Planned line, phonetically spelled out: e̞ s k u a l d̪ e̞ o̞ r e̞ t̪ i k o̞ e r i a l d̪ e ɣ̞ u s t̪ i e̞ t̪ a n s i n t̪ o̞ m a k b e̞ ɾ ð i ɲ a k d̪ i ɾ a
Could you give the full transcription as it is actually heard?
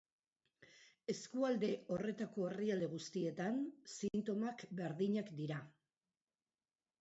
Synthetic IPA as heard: e̞ s k u a l d̪ e̞ o̞ r e̞ t̪ a k o̞ e r i a l d̪ e ɣ̞ u s t̪ i e̞ t̪ a n s i n t̪ o̞ m a k b e̞ ɾ ð i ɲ a k d̪ i ɾ a